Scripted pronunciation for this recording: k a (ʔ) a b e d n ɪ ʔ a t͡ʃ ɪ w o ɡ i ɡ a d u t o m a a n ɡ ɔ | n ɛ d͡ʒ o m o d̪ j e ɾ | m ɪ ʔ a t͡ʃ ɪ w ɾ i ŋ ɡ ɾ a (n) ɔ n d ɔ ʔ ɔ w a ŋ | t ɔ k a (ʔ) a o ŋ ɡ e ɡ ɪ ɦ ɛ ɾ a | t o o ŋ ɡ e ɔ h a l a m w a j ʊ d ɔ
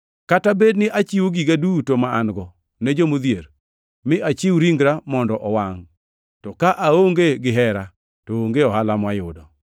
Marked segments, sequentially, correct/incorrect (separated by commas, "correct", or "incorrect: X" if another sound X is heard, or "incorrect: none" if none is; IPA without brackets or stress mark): incorrect: t, incorrect: m, correct